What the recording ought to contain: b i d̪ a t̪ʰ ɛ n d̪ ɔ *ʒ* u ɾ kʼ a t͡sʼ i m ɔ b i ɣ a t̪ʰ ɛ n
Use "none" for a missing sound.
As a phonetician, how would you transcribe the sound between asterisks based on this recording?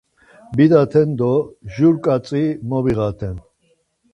ʒ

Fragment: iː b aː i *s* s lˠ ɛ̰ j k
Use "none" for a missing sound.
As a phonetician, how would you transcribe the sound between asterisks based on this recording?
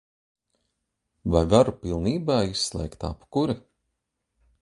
s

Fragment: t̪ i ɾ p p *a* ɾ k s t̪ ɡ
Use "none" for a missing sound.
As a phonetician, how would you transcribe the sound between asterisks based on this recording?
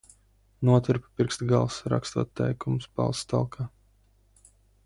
i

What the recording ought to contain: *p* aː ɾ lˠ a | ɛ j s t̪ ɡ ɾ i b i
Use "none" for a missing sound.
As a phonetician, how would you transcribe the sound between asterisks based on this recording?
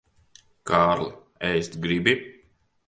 k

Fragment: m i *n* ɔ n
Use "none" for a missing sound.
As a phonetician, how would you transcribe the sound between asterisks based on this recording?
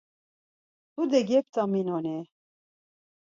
n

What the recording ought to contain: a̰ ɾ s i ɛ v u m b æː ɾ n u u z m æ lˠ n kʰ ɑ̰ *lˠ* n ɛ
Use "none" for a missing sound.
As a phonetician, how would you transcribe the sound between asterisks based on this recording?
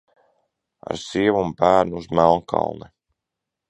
lˠ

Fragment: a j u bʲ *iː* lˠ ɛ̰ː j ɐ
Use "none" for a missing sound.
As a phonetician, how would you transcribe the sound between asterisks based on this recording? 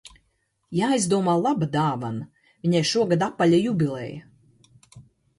i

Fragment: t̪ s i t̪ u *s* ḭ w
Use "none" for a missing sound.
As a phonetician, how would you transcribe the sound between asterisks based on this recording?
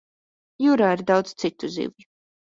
z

